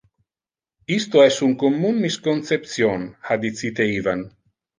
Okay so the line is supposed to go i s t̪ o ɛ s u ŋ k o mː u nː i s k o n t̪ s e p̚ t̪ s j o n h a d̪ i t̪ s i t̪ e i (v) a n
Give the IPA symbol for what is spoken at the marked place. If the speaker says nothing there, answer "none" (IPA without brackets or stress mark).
v